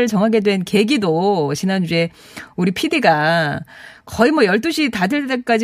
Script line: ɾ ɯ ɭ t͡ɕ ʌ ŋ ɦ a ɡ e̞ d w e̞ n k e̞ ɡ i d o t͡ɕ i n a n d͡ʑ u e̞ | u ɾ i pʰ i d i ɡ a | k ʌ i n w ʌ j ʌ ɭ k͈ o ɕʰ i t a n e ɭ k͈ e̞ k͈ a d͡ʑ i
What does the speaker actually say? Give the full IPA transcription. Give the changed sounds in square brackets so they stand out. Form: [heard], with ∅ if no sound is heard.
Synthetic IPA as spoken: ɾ ɯ ɭ t͡ɕ ʌ ŋ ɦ a ɡ e̞ d w e̞ n k e̞ ɡ i d o t͡ɕ i n a n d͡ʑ u e̞ | u ɾ i pʰ i d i ɡ a | k ʌ i [m] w ʌ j ʌ ɭ [t͈] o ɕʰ i t a [d] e ɭ [t͈] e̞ k͈ a d͡ʑ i